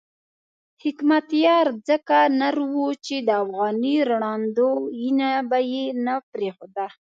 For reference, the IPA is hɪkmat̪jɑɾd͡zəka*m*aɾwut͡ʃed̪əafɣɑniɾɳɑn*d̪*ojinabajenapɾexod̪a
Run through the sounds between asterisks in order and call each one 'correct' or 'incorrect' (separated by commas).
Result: incorrect, correct